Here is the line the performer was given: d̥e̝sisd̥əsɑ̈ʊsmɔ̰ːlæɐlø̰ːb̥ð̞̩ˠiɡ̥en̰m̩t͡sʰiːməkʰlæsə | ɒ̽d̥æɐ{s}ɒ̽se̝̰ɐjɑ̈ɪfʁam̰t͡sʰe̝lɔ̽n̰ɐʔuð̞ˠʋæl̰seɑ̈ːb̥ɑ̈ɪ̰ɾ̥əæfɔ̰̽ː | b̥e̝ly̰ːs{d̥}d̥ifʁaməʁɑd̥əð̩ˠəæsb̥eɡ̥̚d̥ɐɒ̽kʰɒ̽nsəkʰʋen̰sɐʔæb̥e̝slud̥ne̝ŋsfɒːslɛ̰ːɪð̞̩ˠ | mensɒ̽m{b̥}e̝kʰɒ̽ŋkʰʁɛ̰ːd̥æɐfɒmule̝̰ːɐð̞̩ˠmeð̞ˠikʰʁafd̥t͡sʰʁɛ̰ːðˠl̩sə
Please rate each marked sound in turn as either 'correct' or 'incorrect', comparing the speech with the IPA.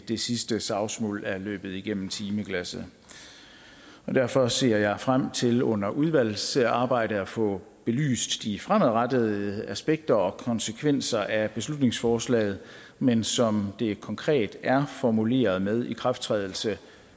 incorrect: f, correct, incorrect: d̥

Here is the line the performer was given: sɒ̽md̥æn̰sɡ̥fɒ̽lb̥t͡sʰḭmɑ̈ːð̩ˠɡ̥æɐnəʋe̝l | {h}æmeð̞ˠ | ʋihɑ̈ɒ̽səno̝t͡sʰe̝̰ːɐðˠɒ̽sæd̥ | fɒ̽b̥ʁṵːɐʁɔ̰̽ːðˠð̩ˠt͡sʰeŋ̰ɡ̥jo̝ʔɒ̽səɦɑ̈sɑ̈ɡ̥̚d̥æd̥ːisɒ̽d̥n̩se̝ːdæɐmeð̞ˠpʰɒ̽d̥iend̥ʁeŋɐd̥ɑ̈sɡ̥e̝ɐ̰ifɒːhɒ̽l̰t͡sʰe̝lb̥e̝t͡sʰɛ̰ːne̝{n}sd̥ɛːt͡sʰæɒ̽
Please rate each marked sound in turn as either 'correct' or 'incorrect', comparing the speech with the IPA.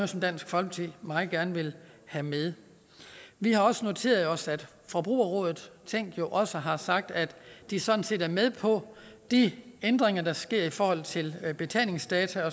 correct, incorrect: ŋ

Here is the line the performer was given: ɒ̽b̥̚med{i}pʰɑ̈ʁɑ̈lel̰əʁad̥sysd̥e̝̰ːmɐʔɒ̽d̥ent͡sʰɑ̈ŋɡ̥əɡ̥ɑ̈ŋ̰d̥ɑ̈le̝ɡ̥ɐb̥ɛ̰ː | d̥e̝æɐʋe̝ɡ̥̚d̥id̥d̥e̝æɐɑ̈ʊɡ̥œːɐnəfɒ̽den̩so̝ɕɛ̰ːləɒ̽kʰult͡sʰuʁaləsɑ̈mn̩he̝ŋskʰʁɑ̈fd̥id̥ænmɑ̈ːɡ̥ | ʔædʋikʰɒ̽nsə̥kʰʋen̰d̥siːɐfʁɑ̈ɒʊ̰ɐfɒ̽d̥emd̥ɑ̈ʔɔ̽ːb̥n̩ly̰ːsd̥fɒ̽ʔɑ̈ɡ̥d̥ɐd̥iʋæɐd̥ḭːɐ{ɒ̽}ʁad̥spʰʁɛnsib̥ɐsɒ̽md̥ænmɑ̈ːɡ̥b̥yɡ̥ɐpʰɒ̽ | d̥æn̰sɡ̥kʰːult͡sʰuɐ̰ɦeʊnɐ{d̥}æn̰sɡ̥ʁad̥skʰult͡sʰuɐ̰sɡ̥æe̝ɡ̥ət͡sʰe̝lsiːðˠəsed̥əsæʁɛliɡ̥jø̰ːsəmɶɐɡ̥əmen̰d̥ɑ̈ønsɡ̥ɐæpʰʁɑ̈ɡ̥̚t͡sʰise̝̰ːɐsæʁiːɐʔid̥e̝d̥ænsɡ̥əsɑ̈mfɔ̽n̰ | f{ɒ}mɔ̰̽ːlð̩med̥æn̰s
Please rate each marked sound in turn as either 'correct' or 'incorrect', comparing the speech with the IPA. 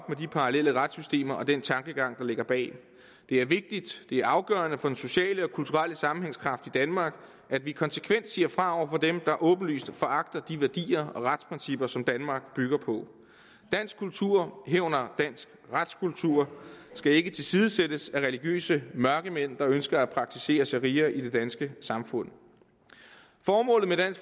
correct, correct, correct, incorrect: ɒː

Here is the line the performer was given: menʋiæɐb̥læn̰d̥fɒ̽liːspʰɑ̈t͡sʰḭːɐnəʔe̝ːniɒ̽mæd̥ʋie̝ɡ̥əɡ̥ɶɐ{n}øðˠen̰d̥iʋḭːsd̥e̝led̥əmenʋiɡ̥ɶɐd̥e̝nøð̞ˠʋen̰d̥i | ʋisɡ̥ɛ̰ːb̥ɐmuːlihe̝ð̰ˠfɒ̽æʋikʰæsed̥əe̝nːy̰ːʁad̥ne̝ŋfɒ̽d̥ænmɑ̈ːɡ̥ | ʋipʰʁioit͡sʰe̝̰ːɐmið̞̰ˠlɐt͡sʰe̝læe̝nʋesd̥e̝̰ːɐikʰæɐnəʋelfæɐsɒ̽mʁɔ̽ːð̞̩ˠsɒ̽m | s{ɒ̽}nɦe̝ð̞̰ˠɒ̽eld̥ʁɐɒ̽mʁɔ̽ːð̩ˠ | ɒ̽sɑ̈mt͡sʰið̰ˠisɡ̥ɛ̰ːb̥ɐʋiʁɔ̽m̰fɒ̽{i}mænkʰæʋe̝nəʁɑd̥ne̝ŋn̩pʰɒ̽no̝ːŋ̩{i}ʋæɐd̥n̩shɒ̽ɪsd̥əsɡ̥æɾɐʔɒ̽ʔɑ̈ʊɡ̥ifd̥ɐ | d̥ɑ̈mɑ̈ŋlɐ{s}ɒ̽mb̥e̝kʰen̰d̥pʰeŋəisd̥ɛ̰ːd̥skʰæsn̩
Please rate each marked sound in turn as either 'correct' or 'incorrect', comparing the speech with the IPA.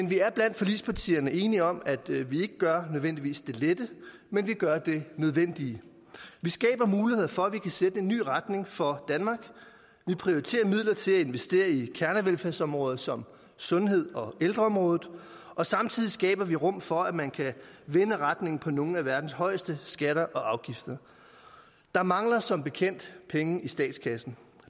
correct, incorrect: ɔ̽, incorrect: æ, incorrect: æ, correct

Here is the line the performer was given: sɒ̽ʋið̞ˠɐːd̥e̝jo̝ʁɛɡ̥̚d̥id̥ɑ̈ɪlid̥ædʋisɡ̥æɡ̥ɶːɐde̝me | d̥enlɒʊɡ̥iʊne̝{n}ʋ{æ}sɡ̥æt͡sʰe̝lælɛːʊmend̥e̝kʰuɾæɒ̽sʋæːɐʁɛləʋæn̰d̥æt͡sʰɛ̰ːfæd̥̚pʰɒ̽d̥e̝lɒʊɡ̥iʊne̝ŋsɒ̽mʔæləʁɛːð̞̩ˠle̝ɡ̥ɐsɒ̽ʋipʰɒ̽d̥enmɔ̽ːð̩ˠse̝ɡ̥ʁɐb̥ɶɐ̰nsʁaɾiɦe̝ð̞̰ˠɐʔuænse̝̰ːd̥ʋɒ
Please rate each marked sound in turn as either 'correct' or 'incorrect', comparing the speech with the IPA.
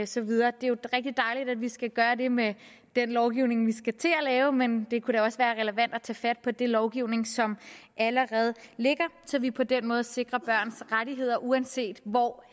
incorrect: ŋ, incorrect: i

